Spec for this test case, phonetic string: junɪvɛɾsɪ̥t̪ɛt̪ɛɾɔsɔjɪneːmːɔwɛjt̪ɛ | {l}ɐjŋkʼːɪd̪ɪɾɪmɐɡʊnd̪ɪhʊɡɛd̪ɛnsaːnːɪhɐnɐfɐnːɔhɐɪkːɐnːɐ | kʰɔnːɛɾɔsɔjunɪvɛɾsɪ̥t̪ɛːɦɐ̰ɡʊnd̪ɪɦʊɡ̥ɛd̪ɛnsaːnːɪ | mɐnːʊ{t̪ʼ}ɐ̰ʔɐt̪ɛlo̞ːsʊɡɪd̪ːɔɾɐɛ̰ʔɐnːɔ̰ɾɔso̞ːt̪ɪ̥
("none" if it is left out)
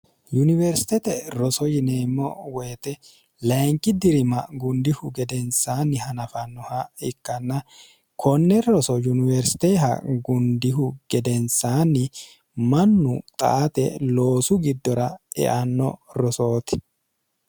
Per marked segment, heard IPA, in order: l, t̪ʼ

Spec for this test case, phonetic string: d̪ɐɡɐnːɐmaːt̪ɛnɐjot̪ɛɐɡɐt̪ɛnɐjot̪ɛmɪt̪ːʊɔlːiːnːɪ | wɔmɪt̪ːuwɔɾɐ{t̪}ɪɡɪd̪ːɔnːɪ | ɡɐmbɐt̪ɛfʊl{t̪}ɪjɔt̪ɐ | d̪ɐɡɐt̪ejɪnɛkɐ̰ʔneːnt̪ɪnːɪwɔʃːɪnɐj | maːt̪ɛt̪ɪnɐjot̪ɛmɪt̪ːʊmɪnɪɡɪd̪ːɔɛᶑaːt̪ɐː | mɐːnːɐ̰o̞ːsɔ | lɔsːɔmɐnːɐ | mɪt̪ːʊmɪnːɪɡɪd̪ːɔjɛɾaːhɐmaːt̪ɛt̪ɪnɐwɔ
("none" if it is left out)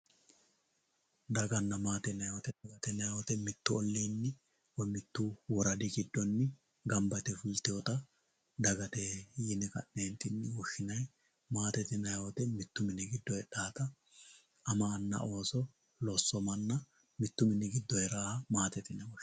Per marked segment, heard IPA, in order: d̪, t̪

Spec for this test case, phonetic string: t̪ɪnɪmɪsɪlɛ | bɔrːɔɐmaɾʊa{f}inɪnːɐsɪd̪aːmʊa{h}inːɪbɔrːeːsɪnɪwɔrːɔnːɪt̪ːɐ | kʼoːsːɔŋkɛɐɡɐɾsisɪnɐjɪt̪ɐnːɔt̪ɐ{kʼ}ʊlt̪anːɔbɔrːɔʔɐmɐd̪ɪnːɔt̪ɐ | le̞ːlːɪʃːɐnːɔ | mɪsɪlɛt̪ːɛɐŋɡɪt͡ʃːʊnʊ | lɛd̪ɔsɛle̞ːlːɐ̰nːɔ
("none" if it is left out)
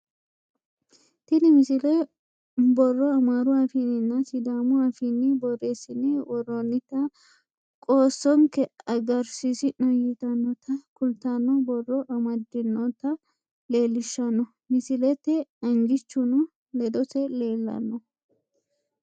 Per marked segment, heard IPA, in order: f, f, k

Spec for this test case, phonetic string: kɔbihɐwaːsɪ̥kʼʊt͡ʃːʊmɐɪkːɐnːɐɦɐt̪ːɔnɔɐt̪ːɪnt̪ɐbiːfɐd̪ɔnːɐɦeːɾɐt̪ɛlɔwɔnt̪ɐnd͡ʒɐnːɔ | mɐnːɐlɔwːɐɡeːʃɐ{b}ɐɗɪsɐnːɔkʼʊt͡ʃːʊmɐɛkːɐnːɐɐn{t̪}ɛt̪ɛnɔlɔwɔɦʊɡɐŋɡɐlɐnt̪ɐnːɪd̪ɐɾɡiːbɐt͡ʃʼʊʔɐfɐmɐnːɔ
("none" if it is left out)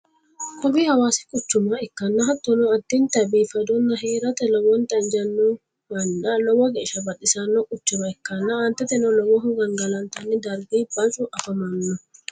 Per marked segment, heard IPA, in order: b, t̪

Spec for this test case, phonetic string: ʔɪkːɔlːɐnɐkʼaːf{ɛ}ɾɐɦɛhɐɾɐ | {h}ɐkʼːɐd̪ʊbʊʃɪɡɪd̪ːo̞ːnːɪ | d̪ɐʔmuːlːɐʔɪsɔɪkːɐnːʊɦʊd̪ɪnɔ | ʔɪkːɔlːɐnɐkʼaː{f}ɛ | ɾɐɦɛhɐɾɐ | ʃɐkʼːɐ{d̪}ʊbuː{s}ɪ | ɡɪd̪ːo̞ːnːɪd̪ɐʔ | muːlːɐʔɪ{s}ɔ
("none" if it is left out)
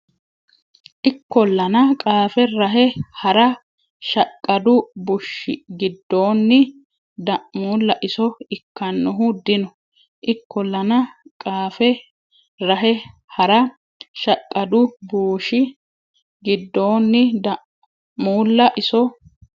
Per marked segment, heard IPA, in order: ɛ, ʃ, f, d̪, ʃ, s

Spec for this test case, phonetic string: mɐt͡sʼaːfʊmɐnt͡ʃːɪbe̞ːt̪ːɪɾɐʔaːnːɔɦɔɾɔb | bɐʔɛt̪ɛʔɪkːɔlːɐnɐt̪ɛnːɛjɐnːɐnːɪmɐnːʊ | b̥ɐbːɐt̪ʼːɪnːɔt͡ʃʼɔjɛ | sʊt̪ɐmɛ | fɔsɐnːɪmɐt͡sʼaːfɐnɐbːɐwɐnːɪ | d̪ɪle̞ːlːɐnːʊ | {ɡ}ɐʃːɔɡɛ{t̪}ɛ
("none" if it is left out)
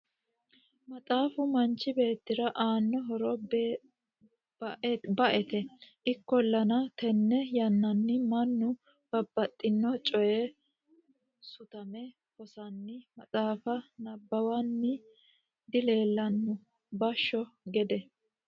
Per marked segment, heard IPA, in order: b, d̪

